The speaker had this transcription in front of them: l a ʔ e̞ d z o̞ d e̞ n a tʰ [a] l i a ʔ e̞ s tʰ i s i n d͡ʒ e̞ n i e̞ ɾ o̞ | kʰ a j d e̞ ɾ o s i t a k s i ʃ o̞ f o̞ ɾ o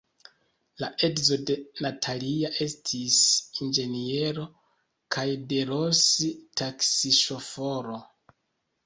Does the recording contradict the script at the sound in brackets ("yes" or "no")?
no